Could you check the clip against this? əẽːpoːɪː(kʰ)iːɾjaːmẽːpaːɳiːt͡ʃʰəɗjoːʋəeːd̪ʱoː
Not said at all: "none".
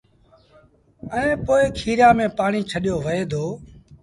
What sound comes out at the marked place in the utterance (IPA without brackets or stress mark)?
kʰ